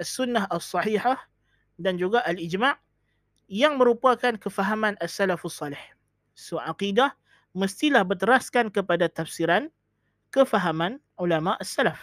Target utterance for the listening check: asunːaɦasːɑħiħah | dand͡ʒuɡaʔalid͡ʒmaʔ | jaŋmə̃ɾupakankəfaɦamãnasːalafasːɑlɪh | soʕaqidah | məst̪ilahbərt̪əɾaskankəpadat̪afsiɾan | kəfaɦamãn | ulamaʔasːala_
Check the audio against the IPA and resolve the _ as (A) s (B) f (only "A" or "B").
B